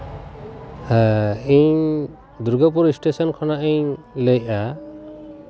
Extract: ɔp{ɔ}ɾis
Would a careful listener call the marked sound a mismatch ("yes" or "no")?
yes